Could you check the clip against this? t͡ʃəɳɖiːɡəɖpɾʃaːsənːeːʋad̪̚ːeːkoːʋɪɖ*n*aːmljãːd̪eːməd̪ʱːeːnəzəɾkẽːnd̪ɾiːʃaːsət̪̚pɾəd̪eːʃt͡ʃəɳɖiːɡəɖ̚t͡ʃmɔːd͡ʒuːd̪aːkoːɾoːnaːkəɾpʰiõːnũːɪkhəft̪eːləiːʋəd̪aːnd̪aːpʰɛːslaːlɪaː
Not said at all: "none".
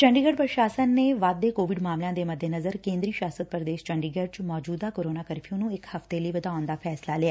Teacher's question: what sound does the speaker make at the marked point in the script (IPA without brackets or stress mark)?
m